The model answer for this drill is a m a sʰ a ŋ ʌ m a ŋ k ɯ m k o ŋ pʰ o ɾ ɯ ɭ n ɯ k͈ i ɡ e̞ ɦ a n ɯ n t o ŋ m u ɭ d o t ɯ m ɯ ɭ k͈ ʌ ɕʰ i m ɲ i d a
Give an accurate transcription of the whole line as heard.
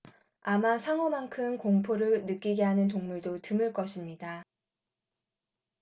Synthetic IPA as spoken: a m a sʰ a ŋ ʌ m a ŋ kʰ ɯ m k o ŋ pʰ o ɾ ɯ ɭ n ɯ k͈ i ɡ e̞ ɦ a n ɯ n t o ŋ m u ɭ d o t ɯ m ɯ ɭ k͈ ʌ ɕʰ i m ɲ i d a